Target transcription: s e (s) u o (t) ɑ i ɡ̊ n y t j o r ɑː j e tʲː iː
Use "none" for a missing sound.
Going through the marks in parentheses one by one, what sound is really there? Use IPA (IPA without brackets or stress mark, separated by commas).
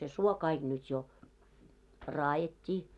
s, k